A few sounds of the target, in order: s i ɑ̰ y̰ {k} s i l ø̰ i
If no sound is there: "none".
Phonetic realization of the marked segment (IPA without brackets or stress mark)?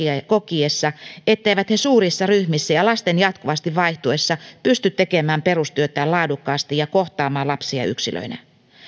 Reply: k